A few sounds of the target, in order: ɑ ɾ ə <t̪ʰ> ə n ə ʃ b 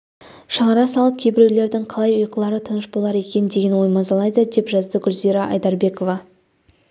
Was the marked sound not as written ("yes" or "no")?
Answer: no